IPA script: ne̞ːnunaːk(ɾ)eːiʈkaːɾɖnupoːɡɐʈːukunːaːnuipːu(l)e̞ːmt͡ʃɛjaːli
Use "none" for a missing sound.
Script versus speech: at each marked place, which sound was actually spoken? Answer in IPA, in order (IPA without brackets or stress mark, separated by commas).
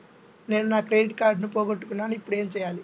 ɾ, ɽ